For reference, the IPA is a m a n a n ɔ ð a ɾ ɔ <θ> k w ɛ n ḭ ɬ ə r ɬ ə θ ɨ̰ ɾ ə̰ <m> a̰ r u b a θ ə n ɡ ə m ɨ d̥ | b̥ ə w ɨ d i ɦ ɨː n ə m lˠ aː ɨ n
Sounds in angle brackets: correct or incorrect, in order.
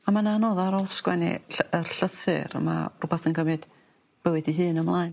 incorrect, correct

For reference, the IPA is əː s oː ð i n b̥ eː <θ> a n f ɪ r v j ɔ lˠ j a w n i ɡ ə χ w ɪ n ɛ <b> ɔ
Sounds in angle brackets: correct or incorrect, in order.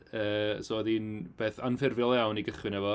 correct, incorrect

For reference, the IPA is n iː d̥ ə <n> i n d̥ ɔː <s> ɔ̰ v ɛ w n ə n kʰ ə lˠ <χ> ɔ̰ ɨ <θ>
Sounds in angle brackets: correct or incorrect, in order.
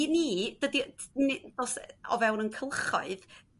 incorrect, correct, correct, incorrect

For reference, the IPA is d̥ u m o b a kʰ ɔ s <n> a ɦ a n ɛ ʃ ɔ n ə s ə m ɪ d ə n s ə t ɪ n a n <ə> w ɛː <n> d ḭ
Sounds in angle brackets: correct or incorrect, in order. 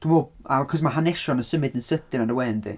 incorrect, correct, correct

